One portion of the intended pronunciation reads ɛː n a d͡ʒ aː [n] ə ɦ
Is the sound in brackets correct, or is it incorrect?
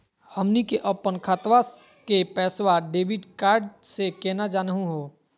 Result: correct